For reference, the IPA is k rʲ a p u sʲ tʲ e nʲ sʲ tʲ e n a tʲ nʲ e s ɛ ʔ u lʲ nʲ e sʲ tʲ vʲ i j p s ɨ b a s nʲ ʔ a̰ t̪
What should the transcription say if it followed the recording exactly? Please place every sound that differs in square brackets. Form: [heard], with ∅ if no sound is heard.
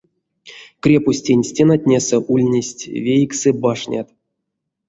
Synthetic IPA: k rʲ [e] p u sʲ tʲ e nʲ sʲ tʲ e n a tʲ nʲ e s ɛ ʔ u lʲ nʲ e sʲ tʲ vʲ [e] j [k] s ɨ b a [ʂ] nʲ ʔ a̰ t̪